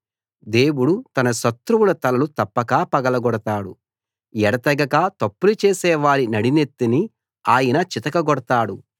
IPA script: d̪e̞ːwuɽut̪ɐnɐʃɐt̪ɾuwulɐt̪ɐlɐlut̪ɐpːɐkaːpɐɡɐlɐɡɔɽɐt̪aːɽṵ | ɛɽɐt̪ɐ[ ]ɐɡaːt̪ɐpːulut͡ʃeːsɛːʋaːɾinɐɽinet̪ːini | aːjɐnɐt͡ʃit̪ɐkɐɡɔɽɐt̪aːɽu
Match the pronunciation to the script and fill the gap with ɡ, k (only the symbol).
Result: ɡ